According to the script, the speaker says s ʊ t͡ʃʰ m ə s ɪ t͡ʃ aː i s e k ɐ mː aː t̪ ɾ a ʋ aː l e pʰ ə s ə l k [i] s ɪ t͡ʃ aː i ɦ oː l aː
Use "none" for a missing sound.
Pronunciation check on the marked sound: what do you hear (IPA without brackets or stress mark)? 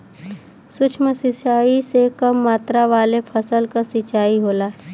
a